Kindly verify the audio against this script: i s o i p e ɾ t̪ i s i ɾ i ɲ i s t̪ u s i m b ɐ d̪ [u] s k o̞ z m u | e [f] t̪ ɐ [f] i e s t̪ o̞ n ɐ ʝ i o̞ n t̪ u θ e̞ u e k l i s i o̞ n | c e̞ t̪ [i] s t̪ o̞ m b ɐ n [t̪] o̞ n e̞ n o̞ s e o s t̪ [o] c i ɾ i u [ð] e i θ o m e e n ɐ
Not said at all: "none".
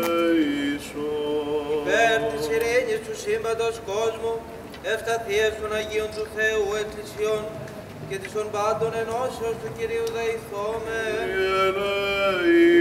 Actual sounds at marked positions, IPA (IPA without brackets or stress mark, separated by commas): o, f, θ, i, d̪, u, ð